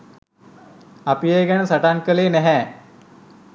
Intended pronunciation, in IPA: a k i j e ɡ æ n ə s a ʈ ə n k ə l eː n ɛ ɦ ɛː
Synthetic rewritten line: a p i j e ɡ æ n ə s a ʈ a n k ə l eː n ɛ ɦ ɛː